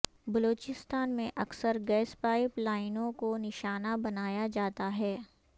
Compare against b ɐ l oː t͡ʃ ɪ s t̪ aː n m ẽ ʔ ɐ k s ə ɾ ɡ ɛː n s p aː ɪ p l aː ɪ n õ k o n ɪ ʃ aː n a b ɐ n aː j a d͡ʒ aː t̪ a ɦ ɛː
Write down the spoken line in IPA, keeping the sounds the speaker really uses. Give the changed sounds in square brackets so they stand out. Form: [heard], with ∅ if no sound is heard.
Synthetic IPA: b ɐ l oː t͡ʃ ɪ s t̪ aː n m ẽ ʔ ɐ k s ə ɾ ɡ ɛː [∅] s p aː ɪ p l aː ɪ n õ k o n ɪ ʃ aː n a b ɐ n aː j a d͡ʒ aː t̪ a ɦ ɛː